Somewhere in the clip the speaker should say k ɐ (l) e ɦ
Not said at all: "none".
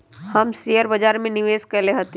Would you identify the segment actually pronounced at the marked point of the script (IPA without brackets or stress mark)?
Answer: l